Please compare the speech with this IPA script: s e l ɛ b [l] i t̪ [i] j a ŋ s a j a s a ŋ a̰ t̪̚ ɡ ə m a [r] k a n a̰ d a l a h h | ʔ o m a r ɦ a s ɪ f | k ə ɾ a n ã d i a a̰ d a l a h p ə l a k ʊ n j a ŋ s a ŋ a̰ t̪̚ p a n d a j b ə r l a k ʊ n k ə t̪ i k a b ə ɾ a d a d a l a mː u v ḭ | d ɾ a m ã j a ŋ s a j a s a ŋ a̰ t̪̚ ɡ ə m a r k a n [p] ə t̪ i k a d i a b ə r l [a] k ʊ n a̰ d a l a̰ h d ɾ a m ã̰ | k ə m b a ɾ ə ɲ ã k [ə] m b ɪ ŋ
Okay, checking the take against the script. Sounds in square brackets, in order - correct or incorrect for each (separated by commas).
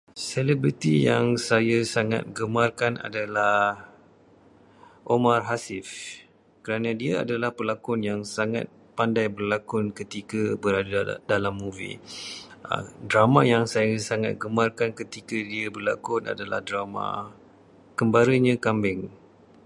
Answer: incorrect, correct, correct, incorrect, correct, incorrect